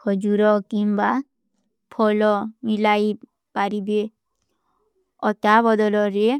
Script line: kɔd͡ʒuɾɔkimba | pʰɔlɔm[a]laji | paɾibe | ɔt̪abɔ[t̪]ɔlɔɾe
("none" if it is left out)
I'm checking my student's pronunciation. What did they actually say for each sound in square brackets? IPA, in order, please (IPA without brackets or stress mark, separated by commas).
i, d̪